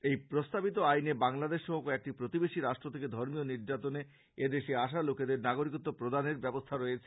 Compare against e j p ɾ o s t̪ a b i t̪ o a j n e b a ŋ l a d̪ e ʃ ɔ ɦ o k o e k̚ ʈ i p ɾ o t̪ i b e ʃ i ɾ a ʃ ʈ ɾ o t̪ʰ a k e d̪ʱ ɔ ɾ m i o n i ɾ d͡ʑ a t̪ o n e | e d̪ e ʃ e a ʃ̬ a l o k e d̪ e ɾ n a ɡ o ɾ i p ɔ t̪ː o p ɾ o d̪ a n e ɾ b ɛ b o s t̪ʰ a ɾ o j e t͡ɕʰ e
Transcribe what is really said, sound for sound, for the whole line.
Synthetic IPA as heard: e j p ɾ o s t̪ a b i t̪ o a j n e b a ŋ l a d̪ e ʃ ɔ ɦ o k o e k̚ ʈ i p ɾ o t̪ i b e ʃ i ɾ a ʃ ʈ ɾ o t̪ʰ e k e d̪ʱ ɔ ɾ m i o n i ɾ d͡ʑ a t̪ o n e | e d̪ e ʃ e a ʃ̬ a l o k e d̪ e ɾ n a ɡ o ɾ i k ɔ t̪ː o p ɾ o d̪ a n e ɾ b ɛ b o s t̪ʰ a ɾ o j e t͡ɕʰ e

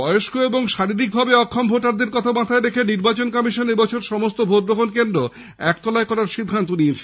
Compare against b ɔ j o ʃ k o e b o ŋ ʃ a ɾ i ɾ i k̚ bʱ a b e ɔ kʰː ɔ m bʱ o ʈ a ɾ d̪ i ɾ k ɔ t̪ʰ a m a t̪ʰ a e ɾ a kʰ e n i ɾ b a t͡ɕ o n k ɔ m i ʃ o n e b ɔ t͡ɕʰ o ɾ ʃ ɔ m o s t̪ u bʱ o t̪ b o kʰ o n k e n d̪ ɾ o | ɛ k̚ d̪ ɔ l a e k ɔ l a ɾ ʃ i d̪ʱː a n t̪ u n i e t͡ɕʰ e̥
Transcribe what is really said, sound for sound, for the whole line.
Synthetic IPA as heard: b ɔ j o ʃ k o e b o ŋ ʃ a ɾ i ɾ i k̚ bʱ a b e ɔ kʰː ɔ m bʱ o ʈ a ɾ d̪ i ɾ k ɔ t̪ʰ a m a t̪ʰ a e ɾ e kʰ e n i ɾ b a t͡ɕ o n k ɔ m i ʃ o n e b ɔ t͡ɕʰ o ɾ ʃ ɔ m o s t̪ o bʱ o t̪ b o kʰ o n k e n d̪ ɾ o | ɛ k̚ t̪ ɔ l a e k ɔ ɾ a ɾ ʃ i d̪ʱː a n t̪ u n i e t͡ɕʰ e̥

